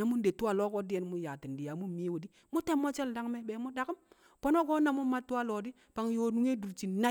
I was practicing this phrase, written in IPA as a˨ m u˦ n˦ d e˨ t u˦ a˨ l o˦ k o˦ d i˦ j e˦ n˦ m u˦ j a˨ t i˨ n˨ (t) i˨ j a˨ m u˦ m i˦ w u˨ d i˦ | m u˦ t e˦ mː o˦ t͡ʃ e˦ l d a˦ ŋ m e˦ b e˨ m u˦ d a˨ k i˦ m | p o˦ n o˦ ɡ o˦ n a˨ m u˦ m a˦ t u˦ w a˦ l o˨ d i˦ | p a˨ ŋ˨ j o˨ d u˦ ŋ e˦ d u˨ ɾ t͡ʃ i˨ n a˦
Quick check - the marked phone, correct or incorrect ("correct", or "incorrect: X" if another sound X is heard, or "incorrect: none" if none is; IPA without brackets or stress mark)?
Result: incorrect: d